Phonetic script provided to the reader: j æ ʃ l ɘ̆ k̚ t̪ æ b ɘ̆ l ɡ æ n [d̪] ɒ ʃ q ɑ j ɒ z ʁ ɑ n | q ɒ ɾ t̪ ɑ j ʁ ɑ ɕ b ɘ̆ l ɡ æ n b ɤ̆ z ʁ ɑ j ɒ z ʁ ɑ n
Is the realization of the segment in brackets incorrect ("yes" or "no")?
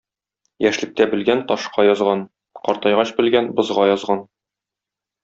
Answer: yes